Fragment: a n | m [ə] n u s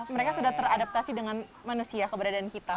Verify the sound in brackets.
incorrect: a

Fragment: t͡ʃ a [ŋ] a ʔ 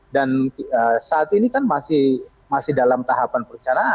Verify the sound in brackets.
incorrect: n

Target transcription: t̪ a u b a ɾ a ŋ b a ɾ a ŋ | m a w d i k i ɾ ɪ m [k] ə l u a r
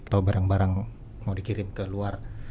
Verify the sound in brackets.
correct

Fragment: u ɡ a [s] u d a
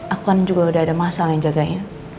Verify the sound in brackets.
incorrect: none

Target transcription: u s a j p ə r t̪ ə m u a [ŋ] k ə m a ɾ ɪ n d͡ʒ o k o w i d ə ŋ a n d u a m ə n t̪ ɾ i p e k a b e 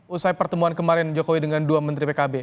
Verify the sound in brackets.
incorrect: n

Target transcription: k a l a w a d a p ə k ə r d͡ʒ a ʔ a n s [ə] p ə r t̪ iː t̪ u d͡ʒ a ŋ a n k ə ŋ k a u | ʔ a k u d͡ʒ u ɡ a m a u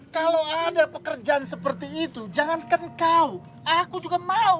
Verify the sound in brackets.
correct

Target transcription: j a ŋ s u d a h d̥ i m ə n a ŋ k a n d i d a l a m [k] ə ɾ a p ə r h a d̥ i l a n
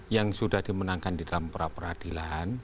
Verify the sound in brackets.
incorrect: p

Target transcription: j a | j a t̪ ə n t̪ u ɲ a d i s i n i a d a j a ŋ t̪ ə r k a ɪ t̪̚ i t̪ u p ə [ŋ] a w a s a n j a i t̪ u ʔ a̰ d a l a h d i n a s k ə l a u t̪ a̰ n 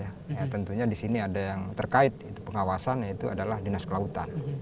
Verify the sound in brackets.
correct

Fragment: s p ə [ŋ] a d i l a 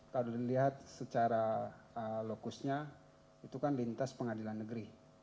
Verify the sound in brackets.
correct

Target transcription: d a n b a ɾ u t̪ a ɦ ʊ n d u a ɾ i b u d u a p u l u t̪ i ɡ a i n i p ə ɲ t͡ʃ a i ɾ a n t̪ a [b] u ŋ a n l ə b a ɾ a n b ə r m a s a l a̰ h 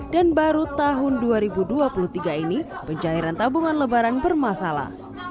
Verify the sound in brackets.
correct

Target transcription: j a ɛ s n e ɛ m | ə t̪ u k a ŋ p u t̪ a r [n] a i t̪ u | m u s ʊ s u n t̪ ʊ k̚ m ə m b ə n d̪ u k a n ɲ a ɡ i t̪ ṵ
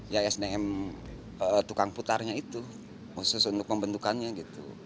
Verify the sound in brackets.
incorrect: ɲ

